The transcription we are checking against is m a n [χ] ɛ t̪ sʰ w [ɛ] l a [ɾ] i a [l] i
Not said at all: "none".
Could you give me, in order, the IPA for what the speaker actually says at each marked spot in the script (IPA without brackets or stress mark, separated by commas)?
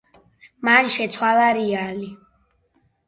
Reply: ʃ, a, ɾ, l